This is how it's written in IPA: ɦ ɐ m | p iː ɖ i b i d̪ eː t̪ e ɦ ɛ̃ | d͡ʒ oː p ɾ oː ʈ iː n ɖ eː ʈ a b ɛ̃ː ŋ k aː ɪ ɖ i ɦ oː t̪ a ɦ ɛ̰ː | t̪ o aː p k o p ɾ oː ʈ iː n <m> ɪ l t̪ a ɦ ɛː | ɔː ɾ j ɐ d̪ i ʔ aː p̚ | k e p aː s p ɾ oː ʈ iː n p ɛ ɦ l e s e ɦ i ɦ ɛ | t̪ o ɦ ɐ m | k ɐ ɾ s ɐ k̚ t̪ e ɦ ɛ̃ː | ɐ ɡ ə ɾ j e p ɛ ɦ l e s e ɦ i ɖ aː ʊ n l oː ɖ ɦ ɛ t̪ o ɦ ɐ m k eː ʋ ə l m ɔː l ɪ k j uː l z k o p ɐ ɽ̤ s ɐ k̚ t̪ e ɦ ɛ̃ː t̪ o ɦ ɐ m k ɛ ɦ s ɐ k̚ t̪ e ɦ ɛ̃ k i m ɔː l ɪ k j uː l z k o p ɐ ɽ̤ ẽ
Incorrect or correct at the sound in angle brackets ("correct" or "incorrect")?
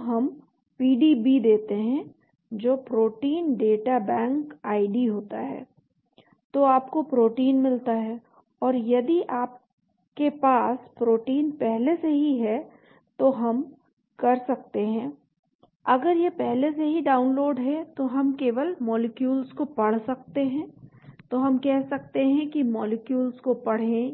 correct